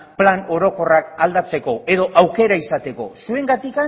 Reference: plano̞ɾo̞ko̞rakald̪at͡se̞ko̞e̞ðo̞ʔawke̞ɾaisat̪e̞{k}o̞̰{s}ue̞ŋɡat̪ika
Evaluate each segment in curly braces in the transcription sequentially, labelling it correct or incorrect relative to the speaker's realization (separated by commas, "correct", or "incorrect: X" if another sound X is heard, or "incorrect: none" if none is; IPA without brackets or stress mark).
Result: correct, correct